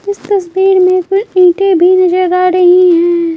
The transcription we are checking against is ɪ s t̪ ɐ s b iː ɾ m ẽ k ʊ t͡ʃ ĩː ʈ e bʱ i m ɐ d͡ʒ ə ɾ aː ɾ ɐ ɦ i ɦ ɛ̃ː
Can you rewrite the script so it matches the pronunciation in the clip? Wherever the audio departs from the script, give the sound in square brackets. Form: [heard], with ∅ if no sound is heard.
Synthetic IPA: ɪ s t̪ ɐ s b iː ɾ m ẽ k ʊ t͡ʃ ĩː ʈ e bʱ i [n] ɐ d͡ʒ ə ɾ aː ɾ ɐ ɦ i ɦ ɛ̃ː